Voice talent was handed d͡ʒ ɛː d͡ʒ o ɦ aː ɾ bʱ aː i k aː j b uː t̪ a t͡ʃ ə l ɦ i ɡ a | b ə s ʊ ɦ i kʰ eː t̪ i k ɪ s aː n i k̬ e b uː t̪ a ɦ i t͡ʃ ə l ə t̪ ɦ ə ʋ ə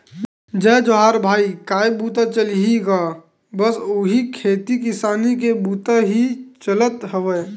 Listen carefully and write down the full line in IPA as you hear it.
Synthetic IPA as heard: d͡ʒ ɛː d͡ʒ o ɦ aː ɾ bʱ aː i k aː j b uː t̪ a t͡ʃ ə l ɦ i ɡ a | b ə s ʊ ɦ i kʰ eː t̪ i k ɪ s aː n i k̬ e b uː t̪ a ɦ i t͡ʃ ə l ə t̪ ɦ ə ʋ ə

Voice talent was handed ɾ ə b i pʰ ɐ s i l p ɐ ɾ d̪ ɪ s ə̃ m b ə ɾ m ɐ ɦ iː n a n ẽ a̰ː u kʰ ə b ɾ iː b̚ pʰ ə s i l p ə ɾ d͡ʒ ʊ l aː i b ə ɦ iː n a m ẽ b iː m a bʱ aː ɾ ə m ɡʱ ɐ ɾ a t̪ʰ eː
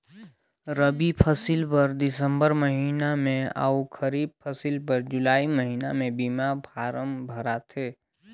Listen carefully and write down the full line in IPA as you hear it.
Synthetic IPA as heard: ɾ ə b i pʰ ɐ s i l p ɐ ɾ d̪ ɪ s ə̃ m b ə ɾ m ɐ ɦ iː n a m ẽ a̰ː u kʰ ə ɾ iː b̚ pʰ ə s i l p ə ɾ d͡ʒ ʊ l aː i m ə ɦ iː n a m ẽ b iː m a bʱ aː ɾ ə m bʱ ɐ ɾ a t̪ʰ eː

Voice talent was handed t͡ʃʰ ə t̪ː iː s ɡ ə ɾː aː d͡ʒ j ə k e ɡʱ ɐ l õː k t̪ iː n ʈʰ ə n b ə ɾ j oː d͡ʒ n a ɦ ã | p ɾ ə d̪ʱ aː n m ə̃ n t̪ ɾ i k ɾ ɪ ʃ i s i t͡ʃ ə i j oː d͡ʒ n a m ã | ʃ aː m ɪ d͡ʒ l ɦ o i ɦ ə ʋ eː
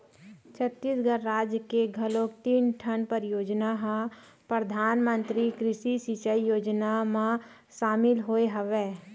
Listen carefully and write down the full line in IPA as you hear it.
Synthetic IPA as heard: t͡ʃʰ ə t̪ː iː s ɡ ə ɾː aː d͡ʒ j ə k e ɡʱ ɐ l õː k t̪ iː n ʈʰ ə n p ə ɾ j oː d͡ʒ n a ɦ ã | p ɾ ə d̪ʱ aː n m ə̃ n t̪ ɾ i k ɾ ɪ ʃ i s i t͡ʃ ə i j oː d͡ʒ n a m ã | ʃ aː m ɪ l ɦ o e ɦ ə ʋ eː

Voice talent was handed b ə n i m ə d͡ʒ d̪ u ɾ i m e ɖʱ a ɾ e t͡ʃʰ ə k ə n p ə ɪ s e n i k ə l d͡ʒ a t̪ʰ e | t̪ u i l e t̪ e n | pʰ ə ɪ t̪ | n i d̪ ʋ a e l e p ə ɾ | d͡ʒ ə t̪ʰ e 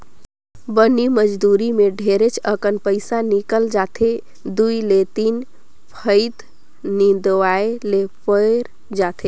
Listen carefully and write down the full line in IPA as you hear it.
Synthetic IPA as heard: b ə n i m ə d͡ʒ d̪ u ɾ i m e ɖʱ e ɾ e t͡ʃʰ ə k ə n p ə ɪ s a n i k ə l d͡ʒ a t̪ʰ e | d̪ u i l e t̪ i n | pʰ ə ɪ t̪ | n i d̪ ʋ a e l e p ə ɾ | d͡ʒ a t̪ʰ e

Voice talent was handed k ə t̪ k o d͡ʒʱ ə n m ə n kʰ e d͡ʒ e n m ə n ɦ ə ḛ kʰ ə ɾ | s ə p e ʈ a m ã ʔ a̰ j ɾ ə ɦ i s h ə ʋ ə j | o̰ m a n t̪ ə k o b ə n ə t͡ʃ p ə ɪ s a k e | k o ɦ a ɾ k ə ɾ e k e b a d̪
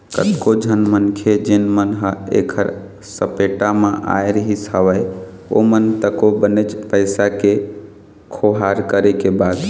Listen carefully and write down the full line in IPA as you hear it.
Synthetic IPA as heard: k ə t̪ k o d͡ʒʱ ə n m ə n kʰ e d͡ʒ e n m ə n ɦ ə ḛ kʰ ə ɾ | s ə p e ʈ a m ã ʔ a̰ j ɾ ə ɦ i s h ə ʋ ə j | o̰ m ə n t̪ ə k o b ə n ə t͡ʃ p ə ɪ s a k e | kʰ o ɦ a ɾ k ə ɾ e k e b a d̪

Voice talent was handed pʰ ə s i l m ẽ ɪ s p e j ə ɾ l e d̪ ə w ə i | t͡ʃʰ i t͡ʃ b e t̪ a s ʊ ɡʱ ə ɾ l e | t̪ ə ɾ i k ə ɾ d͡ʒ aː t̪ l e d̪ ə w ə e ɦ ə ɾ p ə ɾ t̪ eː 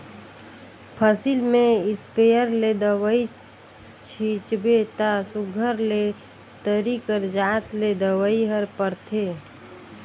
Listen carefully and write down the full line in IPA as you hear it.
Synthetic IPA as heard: pʰ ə s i l m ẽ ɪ s p e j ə ɾ l e d̪ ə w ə i | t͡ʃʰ i t͡ʃ b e t̪ a s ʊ ɡʱ ə ɾ l e | t̪ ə ɾ i k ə ɾ d͡ʒ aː t̪ l e d̪ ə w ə i ɦ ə ɾ p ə ɾ t̪ʰ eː

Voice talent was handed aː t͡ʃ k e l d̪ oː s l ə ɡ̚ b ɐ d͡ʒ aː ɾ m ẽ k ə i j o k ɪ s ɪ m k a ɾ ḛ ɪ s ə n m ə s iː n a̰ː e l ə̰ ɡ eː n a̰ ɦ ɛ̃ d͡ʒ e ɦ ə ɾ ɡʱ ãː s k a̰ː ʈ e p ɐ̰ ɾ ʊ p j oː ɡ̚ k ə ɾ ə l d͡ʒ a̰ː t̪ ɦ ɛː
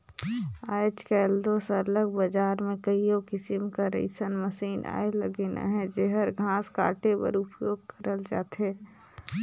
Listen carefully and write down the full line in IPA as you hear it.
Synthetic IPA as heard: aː t͡ʃ k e l d̪ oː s l ə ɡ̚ b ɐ d͡ʒ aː ɾ m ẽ k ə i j o k ɪ s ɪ m k a ɾ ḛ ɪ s ə n m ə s iː n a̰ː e l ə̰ ɡ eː n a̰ ɦ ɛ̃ d͡ʒ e ɦ ə ɾ ɡʱ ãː s k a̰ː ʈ e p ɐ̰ ɾ ʊ p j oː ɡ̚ k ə ɾ ə l d͡ʒ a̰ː t̪ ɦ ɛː

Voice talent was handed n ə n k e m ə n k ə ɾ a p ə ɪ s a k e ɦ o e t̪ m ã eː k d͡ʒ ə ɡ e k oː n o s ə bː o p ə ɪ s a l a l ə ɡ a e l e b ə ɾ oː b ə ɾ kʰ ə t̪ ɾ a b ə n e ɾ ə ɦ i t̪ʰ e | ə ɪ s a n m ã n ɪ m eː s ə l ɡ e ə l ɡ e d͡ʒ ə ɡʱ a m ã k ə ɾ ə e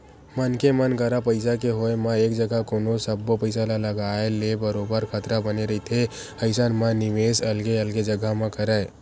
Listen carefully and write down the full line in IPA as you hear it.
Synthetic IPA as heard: m ə n k e m ə n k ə ɾ a p ə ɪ s a k e ɦ o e m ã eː k d͡ʒ ə ɡ a k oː n o s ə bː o p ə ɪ s a l a l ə ɡ a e l e b ə ɾ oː b ə ɾ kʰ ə t̪ ɾ a b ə n e ɾ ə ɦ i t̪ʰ e | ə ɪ s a n m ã n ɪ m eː s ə l ɡ e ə l ɡ e d͡ʒ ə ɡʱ a m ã k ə ɾ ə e

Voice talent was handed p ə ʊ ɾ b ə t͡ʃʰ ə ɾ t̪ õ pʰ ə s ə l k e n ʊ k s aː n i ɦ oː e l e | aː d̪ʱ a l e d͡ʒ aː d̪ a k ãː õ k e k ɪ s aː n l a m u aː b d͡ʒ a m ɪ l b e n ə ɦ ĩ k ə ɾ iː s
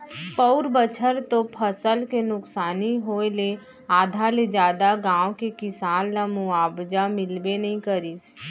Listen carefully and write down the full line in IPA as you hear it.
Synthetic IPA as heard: p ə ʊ ɾ b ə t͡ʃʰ ə ɾ t̪ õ pʰ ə s ə l k e n ʊ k s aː n i ɦ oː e l e | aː d̪ʱ a l e d͡ʒ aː d̪ a ɡ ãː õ k e k ɪ s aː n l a m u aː b d͡ʒ a m ɪ l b e n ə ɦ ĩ k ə ɾ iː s

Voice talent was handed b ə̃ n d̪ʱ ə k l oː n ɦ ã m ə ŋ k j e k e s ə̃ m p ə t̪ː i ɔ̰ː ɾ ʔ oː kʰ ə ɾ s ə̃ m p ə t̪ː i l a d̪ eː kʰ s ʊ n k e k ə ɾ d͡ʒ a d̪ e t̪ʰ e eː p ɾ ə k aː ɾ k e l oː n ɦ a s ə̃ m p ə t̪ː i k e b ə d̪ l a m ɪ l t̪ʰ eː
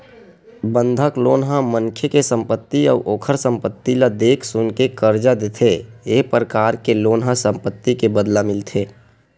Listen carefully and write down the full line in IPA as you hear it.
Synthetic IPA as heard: b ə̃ n d̪ʱ ə k l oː n ɦ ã m ə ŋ kʰ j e k e s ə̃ m p ə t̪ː i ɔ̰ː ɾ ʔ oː kʰ ə ɾ s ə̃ m p ə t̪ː i l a d̪ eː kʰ s ʊ n k e k ə ɾ d͡ʒ a d̪ e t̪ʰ e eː p ɾ ə k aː ɾ k e l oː n ɦ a s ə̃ m p ə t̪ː i k e b ə d̪ l a m ɪ l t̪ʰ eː

